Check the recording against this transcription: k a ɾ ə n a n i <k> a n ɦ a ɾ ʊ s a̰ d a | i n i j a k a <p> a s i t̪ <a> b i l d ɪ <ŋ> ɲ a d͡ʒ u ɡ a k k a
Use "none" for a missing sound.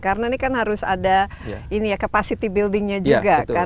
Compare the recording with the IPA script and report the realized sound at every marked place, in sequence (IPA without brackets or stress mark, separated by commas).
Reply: k, p, i, ŋ